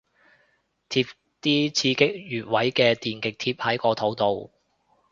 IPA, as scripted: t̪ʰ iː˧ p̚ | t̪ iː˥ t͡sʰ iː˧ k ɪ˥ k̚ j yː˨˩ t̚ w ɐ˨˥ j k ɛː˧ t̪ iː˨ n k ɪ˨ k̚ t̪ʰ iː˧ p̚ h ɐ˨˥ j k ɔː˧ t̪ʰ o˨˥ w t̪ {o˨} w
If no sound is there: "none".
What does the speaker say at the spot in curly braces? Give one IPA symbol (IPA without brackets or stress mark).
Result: o˨